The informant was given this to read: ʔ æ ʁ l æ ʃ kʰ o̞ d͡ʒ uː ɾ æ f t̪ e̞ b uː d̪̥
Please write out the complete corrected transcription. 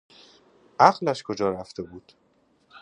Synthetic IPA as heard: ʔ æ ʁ l æ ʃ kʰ o̞ d͡ʒ ɒː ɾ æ f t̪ e̞ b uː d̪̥